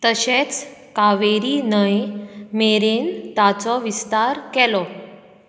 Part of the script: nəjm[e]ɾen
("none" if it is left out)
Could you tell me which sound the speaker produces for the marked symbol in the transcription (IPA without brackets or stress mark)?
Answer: e